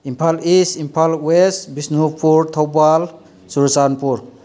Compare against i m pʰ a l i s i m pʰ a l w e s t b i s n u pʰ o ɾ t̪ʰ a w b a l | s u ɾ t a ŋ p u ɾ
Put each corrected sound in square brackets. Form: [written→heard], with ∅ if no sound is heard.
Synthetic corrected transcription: i m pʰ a l i s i m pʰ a l w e s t b i s n u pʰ [o→u] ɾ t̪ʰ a w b a l | s u ɾ [t→s] a [ŋ→n] p u ɾ